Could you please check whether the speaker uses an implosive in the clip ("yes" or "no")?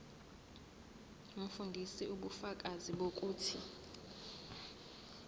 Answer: yes